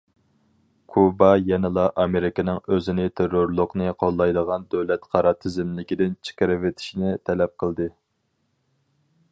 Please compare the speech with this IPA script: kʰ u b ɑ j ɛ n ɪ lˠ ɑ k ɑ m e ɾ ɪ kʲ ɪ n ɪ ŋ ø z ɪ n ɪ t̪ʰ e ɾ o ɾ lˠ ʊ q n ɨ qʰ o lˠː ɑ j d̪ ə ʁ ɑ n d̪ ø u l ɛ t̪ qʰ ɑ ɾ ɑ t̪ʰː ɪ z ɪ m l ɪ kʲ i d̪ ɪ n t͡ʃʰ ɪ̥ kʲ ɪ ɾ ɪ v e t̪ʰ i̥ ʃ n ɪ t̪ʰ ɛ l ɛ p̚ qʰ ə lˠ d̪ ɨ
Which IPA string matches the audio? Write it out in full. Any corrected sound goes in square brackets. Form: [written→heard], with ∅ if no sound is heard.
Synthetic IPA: kʰ u b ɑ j ɛ n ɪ lˠ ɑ [k→ʔ] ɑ m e ɾ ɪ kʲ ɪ n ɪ ŋ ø z ɪ n ɪ t̪ʰ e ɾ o ɾ lˠ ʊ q n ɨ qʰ o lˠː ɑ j d̪ ə ʁ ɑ n d̪ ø [u→w] l ɛ t̪ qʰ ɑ ɾ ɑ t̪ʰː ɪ z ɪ m l ɪ kʲ i d̪ ɪ n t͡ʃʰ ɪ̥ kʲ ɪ ɾ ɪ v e t̪ʰ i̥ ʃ n ɪ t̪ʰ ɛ l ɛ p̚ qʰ ə lˠ d̪ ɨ

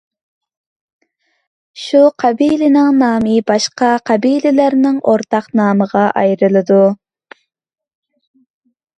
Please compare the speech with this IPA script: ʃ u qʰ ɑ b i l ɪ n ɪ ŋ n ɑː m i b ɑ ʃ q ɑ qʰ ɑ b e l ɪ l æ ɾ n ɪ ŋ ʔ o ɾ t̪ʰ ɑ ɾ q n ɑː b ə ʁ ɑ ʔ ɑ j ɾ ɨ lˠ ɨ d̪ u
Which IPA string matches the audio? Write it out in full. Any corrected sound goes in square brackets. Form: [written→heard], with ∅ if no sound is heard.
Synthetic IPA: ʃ u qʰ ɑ b i l ɪ n ɪ ŋ n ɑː m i b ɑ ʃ q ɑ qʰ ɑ b [e→i] l ɪ l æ ɾ n ɪ ŋ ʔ o ɾ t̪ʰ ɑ [ɾ→∅] q n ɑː [b→m] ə ʁ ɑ ʔ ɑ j ɾ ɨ lˠ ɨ d̪ u

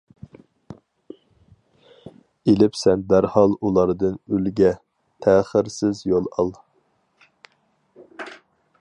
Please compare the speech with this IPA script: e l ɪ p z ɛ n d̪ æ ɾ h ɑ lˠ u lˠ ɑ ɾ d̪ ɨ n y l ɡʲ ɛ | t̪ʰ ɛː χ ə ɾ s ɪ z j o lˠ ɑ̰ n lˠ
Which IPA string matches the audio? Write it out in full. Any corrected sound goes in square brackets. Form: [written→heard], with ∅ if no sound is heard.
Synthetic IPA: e l ɪ p [z→s] ɛ n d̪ æ ɾ h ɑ lˠ u lˠ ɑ ɾ d̪ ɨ n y l ɡʲ ɛ | t̪ʰ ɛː χ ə ɾ s ɪ z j o lˠ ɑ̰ [n→∅] lˠ

